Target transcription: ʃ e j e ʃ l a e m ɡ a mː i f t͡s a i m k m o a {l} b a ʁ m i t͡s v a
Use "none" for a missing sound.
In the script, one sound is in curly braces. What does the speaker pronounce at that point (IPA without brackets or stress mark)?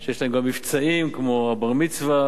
none